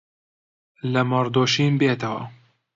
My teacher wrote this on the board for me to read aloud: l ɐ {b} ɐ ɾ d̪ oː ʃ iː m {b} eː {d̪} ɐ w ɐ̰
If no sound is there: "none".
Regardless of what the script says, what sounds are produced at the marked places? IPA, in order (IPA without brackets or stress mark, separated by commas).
m, b, t̪